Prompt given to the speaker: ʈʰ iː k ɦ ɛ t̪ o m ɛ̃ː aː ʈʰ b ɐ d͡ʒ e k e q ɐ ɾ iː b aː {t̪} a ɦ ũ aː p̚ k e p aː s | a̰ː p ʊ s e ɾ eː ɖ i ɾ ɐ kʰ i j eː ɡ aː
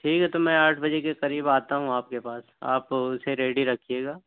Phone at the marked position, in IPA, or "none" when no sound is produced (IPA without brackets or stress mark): t̪